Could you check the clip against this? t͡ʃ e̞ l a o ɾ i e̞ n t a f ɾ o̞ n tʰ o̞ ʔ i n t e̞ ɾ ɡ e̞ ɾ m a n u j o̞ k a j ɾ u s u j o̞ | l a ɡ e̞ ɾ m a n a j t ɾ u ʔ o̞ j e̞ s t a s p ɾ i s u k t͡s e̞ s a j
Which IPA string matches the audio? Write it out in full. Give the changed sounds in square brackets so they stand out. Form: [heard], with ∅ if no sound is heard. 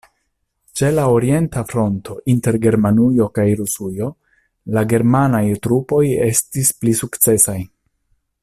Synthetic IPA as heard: t͡ʃ e̞ l a o ɾ i e̞ n t a f ɾ o̞ n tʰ o̞ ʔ i n t e̞ ɾ ɡ e̞ ɾ m a n u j o̞ k a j ɾ u s u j o̞ | l a ɡ e̞ ɾ m a n a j t ɾ u [p] o̞ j e̞ s t [i] s p [l] i s u k t͡s e̞ s a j